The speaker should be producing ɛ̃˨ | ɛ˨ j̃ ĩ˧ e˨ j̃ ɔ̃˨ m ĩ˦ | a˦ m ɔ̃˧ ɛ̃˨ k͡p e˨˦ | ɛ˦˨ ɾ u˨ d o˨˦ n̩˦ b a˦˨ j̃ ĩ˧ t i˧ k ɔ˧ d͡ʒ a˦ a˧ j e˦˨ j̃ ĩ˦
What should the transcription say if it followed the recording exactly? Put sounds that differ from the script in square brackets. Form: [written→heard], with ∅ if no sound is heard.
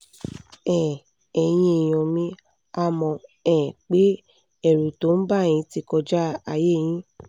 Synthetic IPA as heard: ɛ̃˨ | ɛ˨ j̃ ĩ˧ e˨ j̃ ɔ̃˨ m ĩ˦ | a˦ m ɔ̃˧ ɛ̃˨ k͡p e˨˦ | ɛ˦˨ ɾ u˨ [d→t] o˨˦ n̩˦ b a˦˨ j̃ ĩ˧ t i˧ k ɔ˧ d͡ʒ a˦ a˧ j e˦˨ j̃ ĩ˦